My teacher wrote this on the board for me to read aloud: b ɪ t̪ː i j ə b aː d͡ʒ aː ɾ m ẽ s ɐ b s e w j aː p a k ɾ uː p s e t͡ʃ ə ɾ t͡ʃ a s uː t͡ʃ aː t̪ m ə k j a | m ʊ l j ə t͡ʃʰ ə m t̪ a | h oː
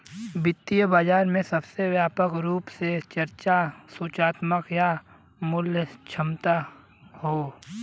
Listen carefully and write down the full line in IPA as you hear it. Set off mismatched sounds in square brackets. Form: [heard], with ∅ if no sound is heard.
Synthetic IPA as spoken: b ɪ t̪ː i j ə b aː d͡ʒ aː ɾ m ẽ s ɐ b s e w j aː p [ə] k ɾ uː p s e t͡ʃ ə ɾ t͡ʃ a s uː t͡ʃ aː t̪ m ə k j a | m ʊ l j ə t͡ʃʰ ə m t̪ a | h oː